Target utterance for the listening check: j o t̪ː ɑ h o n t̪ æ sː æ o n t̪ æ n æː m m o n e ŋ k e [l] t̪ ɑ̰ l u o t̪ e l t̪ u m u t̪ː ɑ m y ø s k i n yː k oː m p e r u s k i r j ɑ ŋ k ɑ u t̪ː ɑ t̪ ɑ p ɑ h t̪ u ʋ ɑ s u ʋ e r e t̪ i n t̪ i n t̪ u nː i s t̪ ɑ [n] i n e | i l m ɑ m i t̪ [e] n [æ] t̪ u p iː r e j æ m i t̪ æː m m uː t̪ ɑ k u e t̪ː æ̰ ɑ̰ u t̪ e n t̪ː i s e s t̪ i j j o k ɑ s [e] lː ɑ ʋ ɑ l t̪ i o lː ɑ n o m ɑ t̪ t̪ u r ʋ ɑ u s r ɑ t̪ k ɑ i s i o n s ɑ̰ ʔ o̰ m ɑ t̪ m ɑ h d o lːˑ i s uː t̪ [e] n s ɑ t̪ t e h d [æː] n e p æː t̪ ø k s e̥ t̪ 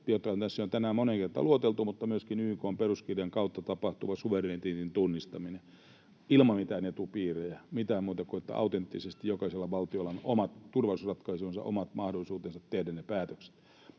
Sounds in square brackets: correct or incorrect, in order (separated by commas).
incorrect, incorrect, incorrect, incorrect, correct, correct, incorrect